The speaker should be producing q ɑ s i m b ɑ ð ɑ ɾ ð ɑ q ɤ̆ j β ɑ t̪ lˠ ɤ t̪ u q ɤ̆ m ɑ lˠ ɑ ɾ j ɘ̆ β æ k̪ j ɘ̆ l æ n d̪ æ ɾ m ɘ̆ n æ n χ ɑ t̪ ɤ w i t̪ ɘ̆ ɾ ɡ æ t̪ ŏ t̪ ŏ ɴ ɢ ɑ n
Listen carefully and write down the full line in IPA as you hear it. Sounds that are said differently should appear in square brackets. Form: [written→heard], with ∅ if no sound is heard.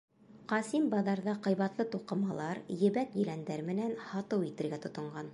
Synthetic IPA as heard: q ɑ s i m b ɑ ð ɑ ɾ ð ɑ q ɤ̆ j β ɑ t̪ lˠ ɤ t̪ u q ɤ̆ m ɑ lˠ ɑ ɾ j ɘ̆ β æ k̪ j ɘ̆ l æ n d̪ æ ɾ m ɘ̆ n æ n [χ→h] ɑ t̪ ɤ w i t̪ ɘ̆ ɾ ɡ æ t̪ ŏ t̪ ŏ ɴ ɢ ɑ n

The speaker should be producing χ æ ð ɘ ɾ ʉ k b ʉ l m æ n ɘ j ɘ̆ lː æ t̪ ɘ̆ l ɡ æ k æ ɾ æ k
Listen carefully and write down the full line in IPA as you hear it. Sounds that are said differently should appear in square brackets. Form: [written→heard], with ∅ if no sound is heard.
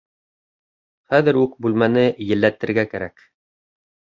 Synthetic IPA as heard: χ æ ð ɘ ɾ ʉ k b ʉ l m æ n ɘ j ɘ̆ lː æ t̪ ɘ̆ [l→ɾ] ɡ æ k æ ɾ æ k

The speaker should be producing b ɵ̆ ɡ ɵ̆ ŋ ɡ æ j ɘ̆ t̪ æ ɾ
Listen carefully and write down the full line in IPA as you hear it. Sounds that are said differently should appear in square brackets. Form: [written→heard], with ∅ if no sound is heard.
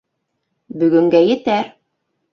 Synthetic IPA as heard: b ɵ̆ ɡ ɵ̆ ŋ ɡ æ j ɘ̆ t̪ æ ɾ

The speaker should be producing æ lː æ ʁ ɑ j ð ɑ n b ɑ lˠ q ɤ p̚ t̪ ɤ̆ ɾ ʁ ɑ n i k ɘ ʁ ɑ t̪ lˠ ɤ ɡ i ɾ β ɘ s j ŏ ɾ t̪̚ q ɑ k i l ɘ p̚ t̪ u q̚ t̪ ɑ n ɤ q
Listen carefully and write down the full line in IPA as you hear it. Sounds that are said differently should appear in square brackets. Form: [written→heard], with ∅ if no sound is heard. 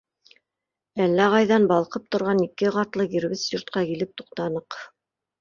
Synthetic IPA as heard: æ lː æ ʁ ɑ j ð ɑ n b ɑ lˠ q ɤ p̚ t̪ [ɤ̆→ŏ] ɾ ʁ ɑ n i k ɘ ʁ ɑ t̪ lˠ ɤ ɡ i ɾ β ɘ s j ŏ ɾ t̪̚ q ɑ k i l ɘ p̚ t̪ u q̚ t̪ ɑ n ɤ q

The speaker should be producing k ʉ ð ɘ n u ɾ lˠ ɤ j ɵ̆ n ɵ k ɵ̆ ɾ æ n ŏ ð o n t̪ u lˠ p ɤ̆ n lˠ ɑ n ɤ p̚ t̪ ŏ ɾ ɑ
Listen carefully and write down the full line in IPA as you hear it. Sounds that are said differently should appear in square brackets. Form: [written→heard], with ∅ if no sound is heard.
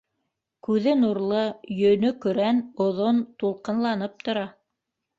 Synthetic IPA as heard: k ʉ ð ɘ n u ɾ lˠ ɤ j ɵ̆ n ɵ k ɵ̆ ɾ æ n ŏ ð o n t̪ u lˠ [p→q] ɤ̆ n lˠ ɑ n ɤ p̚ t̪ ŏ ɾ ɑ

